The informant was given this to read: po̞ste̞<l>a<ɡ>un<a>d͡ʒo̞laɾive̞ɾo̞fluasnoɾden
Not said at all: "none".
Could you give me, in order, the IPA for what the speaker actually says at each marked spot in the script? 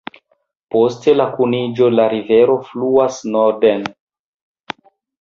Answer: l, k, i

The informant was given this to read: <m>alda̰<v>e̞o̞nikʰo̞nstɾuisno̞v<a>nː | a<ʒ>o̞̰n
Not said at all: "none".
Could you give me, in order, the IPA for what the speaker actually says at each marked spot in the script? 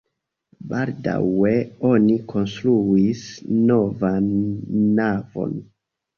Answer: b, w, a, v

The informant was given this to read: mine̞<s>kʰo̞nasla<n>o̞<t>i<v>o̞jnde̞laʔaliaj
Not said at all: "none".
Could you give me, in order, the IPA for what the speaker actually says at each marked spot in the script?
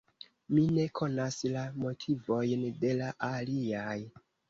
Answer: none, m, tʰ, v

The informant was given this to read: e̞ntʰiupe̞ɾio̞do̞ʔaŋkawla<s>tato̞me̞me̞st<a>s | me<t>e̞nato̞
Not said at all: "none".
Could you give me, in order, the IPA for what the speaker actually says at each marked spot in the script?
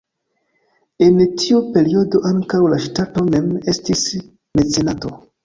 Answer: ʃ, i, t͡s

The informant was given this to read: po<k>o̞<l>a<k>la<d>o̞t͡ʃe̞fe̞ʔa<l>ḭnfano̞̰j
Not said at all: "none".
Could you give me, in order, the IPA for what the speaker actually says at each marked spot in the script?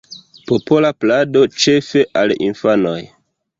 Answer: p, l, p, d, l

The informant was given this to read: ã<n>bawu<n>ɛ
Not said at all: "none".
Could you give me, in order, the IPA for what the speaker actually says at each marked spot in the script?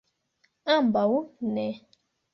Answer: m, n

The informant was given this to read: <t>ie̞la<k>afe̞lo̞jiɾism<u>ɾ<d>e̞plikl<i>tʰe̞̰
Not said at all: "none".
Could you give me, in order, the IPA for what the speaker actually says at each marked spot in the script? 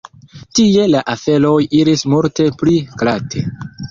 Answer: t, ʔ, u, t, a

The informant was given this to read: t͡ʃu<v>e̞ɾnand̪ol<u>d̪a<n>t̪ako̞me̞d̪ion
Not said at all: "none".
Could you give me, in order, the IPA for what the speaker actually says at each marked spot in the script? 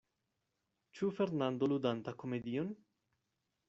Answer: f, u, n

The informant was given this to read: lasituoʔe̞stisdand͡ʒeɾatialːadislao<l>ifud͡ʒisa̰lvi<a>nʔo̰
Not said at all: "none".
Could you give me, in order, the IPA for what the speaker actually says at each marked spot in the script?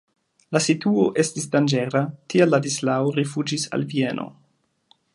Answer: ɾ, e

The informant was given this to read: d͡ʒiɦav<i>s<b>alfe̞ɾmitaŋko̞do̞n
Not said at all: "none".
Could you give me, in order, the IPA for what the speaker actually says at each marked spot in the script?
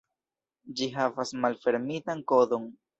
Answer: a, m

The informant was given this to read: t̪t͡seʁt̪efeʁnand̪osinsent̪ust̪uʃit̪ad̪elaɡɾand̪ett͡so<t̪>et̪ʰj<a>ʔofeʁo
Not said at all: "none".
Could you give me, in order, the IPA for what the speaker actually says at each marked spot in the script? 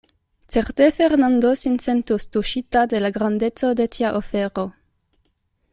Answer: d̪, a

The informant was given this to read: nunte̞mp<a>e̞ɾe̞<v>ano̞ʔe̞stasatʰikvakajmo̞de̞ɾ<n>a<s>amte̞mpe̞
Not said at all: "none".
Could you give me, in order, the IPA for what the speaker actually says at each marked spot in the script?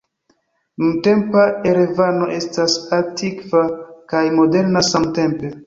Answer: a, v, n, s

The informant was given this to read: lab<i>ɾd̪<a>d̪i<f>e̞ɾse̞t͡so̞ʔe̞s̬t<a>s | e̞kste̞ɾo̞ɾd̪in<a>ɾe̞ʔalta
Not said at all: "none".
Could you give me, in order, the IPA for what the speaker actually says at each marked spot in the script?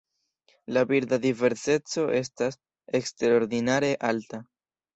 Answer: i, a, v, a, a

